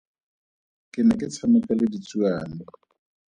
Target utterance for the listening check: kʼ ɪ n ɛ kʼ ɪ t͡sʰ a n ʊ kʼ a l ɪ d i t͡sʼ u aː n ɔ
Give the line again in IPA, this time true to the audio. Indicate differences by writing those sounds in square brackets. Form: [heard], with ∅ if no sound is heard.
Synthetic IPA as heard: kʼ ɪ n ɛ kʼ ɪ t͡sʰ a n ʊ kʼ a l ɪ d i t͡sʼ u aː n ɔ